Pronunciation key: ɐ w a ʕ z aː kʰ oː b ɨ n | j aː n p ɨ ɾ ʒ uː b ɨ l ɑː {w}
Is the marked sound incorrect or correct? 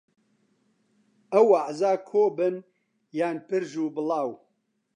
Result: correct